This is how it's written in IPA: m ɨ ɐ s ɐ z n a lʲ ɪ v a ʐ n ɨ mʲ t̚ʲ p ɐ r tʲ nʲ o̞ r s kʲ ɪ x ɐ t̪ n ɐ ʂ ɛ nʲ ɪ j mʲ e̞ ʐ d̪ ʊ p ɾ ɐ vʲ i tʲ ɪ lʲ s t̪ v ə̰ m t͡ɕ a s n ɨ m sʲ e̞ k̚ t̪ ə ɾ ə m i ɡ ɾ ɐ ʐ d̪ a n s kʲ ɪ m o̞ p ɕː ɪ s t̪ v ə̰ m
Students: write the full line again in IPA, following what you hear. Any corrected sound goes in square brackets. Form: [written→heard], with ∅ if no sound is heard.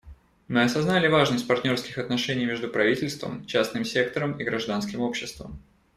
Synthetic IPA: m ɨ ɐ s ɐ z n a lʲ ɪ v a ʐ n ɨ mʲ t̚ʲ p ɐ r tʲ nʲ o̞ r s kʲ ɪ x ɐ t̪ n ɐ ʂ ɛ nʲ ɪ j mʲ e̞ ʐ d̪ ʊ p ɾ ɐ vʲ i tʲ ɪ lʲ s t̪ v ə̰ m t͡ɕ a s n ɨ m sʲ e̞ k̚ t̪ ə ɾ ə m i ɡ ɾ ɐ ʐ d̪ a n s kʲ ɪ m o̞ p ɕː ɪ s t̪ v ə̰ m

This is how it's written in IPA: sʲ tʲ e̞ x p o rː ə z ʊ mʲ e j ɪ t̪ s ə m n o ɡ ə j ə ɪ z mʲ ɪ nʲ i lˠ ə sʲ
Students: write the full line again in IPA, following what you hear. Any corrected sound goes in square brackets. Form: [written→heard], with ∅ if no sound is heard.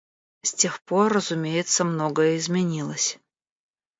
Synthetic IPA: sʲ tʲ e̞ x p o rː ə z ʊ mʲ e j ɪ t̪ s ə m n o ɡ ə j ə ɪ z mʲ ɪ nʲ i lˠ ə sʲ

